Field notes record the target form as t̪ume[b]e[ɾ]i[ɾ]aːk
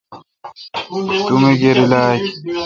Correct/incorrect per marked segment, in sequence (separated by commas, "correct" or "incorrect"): incorrect, correct, incorrect